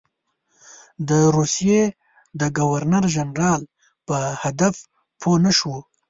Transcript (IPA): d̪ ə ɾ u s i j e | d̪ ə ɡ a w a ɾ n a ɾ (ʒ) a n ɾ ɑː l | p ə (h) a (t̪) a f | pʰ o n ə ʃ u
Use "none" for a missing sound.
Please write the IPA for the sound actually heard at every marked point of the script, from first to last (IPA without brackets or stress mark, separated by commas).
ʒ, h, d̪